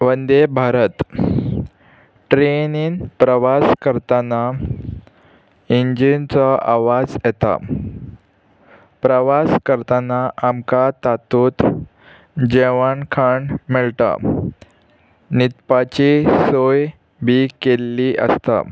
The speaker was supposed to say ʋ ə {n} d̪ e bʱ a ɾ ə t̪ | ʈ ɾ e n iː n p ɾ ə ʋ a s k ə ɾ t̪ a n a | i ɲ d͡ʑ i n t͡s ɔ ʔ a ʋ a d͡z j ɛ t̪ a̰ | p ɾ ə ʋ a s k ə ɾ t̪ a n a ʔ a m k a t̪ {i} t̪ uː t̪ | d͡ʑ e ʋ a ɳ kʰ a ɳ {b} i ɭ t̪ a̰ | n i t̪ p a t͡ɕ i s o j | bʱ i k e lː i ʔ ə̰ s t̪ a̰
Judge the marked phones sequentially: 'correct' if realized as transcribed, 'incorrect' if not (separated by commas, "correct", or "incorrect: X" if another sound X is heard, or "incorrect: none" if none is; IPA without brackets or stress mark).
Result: correct, incorrect: a, incorrect: m